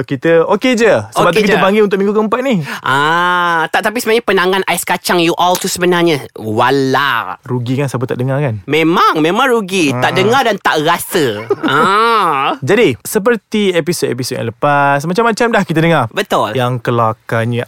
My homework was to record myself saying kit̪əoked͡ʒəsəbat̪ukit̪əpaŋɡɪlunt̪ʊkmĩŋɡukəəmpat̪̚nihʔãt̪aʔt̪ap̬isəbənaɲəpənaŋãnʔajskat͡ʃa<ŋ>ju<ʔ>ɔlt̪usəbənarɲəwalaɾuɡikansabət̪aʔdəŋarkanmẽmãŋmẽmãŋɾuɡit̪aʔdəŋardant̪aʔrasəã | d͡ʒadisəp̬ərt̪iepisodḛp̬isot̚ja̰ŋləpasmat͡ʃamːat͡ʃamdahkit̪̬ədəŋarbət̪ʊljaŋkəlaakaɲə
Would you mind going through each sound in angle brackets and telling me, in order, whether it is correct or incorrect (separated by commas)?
correct, correct